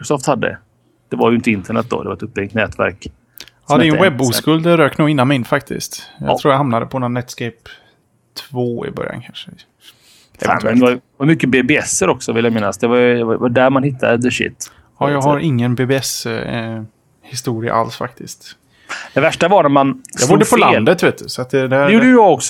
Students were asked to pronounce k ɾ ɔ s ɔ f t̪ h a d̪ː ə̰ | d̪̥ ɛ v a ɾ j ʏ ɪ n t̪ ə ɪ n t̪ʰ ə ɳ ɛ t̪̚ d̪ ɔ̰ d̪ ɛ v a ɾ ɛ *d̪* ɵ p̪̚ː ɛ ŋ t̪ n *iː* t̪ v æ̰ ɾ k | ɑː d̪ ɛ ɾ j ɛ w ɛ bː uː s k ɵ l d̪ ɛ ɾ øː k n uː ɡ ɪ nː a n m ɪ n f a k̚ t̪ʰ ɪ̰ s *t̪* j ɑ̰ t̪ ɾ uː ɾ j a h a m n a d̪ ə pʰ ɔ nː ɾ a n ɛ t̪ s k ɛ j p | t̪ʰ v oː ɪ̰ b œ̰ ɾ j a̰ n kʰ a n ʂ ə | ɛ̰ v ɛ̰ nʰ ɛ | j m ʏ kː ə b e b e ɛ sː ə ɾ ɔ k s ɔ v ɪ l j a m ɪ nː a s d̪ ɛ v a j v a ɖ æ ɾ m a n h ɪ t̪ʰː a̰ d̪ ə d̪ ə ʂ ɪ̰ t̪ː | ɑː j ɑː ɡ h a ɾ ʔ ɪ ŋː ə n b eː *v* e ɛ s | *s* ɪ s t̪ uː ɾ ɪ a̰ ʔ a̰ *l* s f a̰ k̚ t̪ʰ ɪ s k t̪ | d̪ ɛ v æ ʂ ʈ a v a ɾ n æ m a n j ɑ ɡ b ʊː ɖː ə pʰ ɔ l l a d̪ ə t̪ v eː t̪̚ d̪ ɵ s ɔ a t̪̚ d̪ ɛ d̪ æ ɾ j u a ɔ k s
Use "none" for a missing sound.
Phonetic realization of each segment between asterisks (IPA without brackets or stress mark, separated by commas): t̪, ɛː, t̪, b, h, l